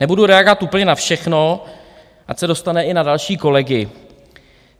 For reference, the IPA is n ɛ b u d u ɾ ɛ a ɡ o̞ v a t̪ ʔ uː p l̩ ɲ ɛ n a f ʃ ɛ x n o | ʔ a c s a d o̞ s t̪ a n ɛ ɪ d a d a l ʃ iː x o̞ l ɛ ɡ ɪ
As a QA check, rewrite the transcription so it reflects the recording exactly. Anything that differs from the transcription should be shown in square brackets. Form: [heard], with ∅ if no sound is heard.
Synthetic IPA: n ɛ b u d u ɾ ɛ a ɡ o̞ v a t̪ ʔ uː p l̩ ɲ ɛ n a f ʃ ɛ x n o | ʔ a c s [ɛ] d o̞ s t̪ a n ɛ ɪ [n] a d a l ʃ iː [k] o̞ l ɛ ɡ ɪ